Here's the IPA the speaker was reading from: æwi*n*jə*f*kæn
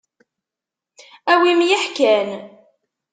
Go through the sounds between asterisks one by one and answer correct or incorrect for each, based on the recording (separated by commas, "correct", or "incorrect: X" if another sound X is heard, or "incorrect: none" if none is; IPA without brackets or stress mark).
incorrect: m, incorrect: ħ